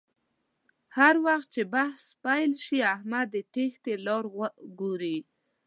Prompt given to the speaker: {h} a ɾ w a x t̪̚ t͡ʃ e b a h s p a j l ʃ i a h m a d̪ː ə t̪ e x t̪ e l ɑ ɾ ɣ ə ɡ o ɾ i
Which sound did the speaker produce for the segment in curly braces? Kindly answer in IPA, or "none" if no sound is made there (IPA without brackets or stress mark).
h